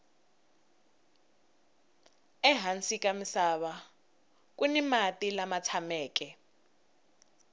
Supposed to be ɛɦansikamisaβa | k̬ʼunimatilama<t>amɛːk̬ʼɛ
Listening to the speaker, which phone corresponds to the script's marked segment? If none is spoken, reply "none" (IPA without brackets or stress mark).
t͡sʰ